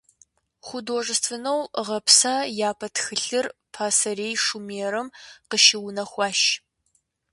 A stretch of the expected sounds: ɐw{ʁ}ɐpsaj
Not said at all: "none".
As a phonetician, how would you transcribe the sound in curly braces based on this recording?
ʁ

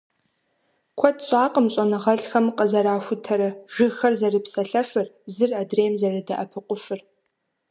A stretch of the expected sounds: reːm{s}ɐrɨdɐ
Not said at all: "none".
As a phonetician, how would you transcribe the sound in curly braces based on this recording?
z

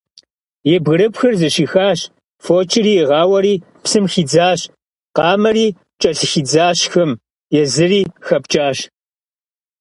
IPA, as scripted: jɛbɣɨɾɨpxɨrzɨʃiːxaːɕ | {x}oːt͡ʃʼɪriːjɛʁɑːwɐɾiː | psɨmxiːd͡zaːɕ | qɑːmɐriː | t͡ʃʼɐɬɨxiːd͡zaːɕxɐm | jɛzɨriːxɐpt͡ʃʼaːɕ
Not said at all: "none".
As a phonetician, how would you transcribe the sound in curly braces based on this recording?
f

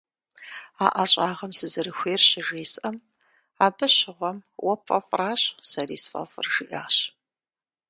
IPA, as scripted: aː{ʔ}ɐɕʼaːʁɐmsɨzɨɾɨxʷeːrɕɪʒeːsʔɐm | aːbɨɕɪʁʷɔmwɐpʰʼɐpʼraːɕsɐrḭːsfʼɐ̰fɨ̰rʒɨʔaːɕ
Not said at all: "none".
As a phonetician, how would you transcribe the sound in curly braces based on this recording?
ʔ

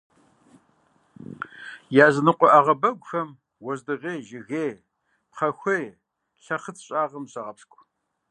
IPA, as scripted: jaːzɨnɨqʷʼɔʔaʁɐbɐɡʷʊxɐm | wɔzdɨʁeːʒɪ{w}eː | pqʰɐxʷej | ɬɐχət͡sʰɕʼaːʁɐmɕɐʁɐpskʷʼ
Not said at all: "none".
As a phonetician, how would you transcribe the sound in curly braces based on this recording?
ɣ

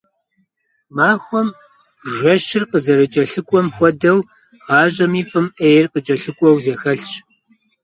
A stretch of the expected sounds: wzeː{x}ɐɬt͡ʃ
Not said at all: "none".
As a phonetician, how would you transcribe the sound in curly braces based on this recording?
x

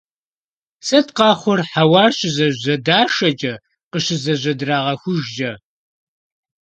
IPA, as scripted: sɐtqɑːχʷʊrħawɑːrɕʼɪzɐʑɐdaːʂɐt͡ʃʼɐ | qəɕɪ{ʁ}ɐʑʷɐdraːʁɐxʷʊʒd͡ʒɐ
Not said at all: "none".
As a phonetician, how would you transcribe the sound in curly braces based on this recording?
z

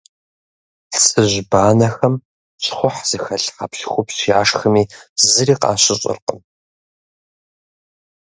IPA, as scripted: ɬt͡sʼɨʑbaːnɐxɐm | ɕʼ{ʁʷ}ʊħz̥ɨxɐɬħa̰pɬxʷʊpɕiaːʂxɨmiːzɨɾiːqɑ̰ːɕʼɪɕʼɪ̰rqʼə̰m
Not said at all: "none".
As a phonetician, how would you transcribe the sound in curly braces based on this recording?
χʷ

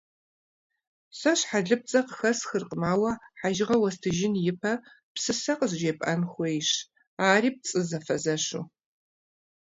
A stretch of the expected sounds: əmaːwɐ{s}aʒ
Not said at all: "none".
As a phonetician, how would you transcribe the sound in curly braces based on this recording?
ħ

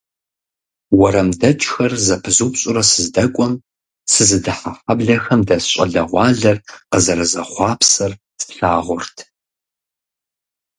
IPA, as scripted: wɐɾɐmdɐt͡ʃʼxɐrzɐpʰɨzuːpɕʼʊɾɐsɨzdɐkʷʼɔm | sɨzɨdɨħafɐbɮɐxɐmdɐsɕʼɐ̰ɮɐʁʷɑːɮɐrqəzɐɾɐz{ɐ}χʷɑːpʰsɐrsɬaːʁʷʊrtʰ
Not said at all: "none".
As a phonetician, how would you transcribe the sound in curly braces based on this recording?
ɐ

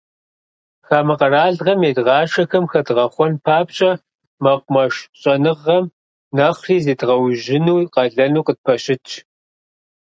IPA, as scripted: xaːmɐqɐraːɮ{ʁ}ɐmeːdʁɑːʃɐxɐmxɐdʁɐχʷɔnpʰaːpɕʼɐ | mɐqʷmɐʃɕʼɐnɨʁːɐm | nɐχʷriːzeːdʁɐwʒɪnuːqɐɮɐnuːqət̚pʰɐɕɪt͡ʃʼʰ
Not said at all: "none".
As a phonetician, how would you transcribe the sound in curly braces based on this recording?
ʁ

